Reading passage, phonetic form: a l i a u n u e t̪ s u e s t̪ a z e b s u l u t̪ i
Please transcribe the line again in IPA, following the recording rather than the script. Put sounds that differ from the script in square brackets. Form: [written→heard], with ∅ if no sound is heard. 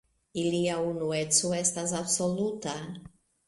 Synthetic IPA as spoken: [a→i] l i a u n u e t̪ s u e s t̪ a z [e→a] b s [u→o] l u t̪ [i→a]